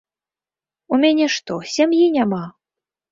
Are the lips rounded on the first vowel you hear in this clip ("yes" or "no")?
yes